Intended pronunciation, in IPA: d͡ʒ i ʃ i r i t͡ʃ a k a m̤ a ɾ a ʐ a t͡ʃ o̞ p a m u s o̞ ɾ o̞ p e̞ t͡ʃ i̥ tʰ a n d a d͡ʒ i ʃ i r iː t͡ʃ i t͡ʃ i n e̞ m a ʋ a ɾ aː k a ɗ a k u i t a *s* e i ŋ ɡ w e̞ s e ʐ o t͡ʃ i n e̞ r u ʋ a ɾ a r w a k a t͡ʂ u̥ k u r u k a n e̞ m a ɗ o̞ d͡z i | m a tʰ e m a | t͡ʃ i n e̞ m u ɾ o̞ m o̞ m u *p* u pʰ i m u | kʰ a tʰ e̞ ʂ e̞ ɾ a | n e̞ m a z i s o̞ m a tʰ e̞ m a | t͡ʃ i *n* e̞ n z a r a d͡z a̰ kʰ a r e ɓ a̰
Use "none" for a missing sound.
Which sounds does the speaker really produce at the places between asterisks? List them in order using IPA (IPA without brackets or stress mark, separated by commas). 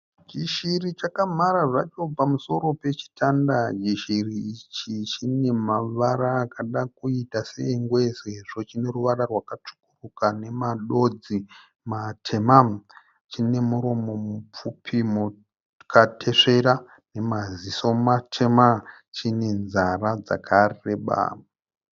s, p͡f, n